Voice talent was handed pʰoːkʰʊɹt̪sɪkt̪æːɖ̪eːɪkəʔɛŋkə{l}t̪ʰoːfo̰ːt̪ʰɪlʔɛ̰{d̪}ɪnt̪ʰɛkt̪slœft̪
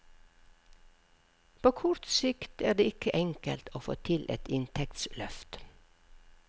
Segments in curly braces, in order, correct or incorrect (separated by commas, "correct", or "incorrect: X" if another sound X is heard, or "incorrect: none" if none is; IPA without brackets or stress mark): correct, incorrect: t̪